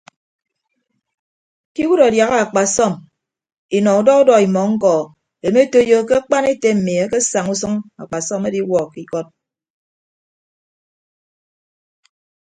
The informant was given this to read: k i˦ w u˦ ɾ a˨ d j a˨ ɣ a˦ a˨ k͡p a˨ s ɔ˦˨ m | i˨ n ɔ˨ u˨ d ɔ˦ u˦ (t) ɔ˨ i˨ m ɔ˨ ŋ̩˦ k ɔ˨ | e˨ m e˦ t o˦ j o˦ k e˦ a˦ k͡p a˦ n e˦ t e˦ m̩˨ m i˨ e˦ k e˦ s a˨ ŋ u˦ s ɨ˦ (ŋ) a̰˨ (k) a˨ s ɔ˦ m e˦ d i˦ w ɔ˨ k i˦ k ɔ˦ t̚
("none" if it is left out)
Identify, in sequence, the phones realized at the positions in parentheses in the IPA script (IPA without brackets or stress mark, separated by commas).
d, ŋ, k͡p